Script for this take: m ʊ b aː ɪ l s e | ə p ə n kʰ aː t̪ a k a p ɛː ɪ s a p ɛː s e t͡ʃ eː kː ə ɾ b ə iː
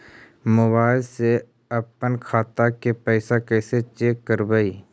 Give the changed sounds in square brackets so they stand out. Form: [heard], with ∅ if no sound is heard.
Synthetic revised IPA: m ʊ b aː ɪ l s e | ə p ə n kʰ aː t̪ a k [e] p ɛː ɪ s a [k] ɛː s e t͡ʃ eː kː ə ɾ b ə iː